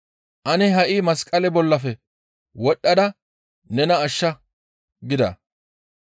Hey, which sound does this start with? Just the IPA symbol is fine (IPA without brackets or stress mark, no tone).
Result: ʔ